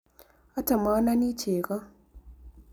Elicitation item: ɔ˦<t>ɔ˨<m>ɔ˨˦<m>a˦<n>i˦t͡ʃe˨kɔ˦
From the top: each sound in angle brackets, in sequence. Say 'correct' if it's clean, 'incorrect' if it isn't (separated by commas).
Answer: correct, correct, incorrect, correct